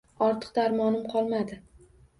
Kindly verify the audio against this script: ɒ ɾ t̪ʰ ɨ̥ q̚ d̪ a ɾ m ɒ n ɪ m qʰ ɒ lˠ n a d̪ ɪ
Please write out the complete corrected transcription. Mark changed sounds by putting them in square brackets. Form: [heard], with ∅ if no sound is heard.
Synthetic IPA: ɒ ɾ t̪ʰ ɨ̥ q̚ d̪ a ɾ m ɒ n ɪ m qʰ ɒ lˠ [m] a d̪ ɪ